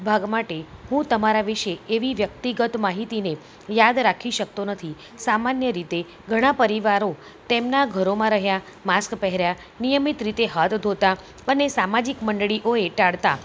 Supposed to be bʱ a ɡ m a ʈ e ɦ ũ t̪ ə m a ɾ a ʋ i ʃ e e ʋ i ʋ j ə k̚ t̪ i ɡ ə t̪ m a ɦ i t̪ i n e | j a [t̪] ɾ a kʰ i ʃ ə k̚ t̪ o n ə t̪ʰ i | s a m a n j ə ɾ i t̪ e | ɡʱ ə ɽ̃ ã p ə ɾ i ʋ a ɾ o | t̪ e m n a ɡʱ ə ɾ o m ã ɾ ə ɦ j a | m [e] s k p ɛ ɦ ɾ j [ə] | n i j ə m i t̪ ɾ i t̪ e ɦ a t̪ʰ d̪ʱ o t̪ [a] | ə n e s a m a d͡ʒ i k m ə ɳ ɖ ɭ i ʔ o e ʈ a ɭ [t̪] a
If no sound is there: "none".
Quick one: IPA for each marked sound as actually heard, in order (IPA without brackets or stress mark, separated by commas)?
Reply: d̪, a, a, a, t̪